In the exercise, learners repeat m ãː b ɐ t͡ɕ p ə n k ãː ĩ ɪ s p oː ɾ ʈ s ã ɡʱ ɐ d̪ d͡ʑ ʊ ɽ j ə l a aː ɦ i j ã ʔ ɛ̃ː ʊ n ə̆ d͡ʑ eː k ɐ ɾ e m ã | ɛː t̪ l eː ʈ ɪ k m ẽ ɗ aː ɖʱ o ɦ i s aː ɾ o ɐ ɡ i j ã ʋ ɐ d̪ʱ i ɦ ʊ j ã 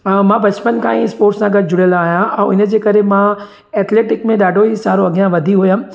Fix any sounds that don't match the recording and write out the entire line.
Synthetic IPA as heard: m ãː b ɐ t͡ɕ p ə n k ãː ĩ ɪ s p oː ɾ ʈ s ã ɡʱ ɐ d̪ d͡ʑ ʊ ɽ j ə l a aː ɦ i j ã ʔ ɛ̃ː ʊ n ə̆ d͡ʑ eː k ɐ ɾ e m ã | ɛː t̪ l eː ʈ ɪ k m ẽ ɗ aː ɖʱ o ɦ i s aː ɾ o ɐ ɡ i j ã ʋ ɐ d̪ʱ i ɦ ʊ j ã